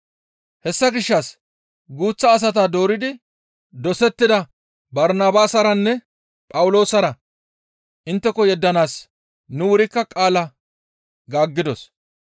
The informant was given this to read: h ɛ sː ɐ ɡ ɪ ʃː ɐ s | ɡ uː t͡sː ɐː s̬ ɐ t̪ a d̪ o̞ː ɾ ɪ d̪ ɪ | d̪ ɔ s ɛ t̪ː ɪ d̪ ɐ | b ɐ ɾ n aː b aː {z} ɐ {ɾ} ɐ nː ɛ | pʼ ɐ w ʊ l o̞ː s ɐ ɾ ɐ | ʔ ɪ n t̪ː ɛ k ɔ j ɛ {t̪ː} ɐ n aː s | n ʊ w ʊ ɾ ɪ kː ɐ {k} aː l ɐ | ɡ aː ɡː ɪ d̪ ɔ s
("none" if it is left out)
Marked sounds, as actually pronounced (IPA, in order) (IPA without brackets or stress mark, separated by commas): s, ɾ, d̪ː, kʼ